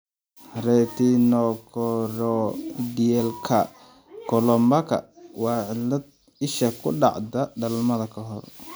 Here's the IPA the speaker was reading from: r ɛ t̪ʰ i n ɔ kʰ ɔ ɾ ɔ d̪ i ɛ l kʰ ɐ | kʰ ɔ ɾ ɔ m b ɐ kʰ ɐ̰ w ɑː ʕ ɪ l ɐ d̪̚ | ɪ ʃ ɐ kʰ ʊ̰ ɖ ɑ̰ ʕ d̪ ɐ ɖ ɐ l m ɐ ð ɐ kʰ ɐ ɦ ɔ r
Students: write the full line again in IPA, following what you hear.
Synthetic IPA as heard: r ɛ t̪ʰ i n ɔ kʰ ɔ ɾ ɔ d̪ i ɛ l kʰ ɐ | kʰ ɔ l ɔ m b ɐ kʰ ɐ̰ w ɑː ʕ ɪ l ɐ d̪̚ | ɪ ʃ ɐ kʰ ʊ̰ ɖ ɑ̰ ʕ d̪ ɐ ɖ ɐ l m ɐ ð ɐ kʰ ɐ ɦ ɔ r